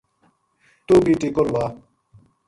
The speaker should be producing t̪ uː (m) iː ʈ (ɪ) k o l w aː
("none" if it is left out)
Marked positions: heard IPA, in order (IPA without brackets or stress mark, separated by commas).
b, i